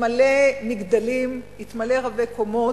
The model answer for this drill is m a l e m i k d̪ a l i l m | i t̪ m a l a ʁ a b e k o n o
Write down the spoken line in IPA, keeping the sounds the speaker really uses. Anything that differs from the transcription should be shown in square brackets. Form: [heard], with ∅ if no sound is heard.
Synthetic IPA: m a l e m i [ɡ] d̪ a l i [∅] m | i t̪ m a l [e] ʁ a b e k o [m] o